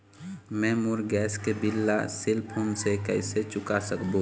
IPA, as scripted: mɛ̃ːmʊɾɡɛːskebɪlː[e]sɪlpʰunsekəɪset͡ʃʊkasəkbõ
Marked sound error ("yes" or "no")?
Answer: yes